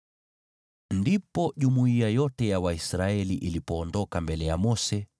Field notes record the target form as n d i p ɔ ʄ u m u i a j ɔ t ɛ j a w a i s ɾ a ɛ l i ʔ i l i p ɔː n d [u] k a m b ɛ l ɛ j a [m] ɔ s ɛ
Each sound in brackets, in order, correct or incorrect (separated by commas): incorrect, correct